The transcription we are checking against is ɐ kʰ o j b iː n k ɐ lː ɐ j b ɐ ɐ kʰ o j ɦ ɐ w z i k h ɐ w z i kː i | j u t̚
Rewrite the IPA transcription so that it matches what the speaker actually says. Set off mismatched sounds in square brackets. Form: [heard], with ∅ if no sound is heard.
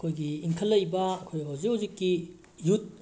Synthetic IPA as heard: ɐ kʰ o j [ɡ] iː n [kʰ] ɐ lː ɐ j b ɐ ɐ kʰ o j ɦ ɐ w z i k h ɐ w z i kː i | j u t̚